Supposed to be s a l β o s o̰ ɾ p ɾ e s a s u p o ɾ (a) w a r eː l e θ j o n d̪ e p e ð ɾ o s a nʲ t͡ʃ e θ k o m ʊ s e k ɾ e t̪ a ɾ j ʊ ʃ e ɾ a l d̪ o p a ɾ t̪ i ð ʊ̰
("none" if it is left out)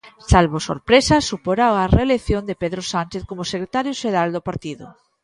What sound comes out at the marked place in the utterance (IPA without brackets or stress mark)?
a